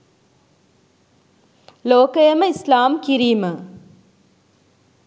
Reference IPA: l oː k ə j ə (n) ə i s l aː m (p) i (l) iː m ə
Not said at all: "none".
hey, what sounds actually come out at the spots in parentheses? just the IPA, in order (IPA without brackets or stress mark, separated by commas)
m, k, ɾ